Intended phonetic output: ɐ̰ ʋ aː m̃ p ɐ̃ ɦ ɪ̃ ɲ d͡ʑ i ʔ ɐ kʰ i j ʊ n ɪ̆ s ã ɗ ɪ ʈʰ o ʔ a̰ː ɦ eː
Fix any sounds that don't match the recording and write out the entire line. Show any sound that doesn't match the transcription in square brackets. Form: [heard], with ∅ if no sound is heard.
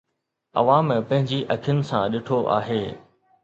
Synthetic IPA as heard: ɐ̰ ʋ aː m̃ p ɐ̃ ɦ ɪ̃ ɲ d͡ʑ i ʔ ɐ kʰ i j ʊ n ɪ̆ s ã ɗ ɪ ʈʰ o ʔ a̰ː ɦ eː